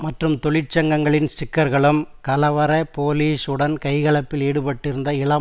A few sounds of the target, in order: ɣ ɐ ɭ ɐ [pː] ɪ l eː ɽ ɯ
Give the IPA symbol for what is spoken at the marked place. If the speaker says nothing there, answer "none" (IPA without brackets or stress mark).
pː